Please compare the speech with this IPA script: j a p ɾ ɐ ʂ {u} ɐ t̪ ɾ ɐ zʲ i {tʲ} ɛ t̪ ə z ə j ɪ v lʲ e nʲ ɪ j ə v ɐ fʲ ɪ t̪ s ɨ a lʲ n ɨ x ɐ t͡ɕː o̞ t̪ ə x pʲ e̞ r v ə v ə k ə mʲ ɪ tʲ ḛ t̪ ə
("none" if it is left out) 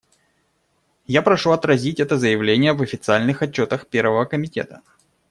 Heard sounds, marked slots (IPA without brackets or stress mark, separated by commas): u, tʲ